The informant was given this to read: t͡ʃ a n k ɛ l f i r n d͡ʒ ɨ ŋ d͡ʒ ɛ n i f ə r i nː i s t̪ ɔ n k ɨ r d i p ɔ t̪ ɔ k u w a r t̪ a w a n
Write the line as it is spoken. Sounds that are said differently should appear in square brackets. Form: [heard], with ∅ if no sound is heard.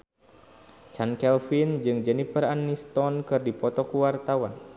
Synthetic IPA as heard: t͡ʃ a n k ɛ l f i [∅] n d͡ʒ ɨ ŋ d͡ʒ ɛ n i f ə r [a] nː i s t̪ ɔ n k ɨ r d i p ɔ t̪ ɔ k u w a r t̪ a w a n